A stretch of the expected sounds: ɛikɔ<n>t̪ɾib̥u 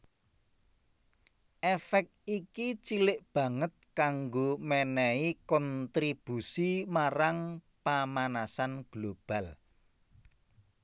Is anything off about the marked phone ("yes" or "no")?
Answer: no